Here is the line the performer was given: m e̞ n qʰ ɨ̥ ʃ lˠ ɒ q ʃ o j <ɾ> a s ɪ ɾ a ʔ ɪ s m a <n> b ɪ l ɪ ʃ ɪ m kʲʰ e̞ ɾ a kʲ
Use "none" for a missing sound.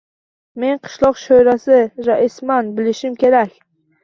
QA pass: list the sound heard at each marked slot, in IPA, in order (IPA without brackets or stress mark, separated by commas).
ɾ, n